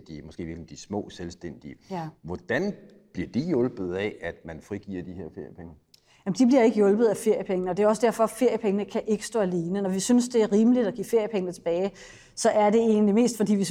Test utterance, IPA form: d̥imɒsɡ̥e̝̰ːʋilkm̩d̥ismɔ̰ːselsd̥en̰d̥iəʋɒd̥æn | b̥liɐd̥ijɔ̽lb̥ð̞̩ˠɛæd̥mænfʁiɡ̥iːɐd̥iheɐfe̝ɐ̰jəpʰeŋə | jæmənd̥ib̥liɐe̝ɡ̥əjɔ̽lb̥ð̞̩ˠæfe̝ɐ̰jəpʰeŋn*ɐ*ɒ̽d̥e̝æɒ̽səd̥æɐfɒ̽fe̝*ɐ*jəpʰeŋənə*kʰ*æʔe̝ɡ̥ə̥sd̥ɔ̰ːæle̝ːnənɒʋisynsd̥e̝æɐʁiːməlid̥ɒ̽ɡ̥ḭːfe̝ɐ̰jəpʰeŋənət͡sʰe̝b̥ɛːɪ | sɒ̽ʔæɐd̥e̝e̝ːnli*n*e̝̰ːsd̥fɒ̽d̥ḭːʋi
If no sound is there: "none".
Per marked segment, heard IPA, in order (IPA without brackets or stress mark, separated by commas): ə, ɐ, kʰ, m